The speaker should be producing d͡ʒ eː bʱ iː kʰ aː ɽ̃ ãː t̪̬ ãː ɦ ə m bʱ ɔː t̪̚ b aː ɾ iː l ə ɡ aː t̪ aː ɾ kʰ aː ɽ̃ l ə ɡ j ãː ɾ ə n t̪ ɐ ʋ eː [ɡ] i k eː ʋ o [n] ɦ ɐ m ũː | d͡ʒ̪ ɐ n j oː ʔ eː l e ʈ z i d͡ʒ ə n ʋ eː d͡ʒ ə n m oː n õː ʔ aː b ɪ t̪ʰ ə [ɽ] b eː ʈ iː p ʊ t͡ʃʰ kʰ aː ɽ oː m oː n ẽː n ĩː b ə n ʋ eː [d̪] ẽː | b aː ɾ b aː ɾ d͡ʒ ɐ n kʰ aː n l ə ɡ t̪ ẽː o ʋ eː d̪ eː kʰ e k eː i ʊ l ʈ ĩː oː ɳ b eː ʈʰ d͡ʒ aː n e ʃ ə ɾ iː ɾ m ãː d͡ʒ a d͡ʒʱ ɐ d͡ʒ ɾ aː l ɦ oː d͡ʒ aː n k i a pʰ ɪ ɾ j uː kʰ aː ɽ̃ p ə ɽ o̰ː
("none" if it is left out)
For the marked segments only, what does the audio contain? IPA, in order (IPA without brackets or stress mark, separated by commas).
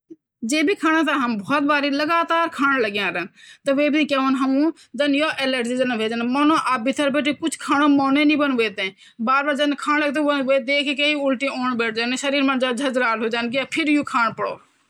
b, n, ɾ, t̪